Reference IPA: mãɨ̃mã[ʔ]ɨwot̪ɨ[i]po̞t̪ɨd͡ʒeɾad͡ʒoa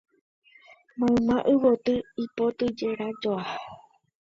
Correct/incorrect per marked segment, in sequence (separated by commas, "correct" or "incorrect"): correct, correct